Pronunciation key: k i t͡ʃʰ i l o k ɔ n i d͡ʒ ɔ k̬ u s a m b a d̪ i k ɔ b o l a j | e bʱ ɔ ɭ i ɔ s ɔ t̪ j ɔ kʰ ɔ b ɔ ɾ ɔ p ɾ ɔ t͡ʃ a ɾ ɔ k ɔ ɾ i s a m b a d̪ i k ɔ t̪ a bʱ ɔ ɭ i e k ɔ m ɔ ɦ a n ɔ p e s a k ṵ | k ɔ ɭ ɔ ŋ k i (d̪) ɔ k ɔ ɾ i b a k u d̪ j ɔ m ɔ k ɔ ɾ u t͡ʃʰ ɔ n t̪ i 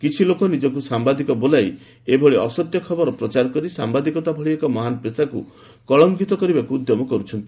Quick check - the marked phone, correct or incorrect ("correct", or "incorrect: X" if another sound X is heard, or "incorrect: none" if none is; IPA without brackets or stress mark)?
incorrect: t̪